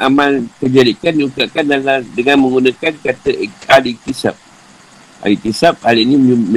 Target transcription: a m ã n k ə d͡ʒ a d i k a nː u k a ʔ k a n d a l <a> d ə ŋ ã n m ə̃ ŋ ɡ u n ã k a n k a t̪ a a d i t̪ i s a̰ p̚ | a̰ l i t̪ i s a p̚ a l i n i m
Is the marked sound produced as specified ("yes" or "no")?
yes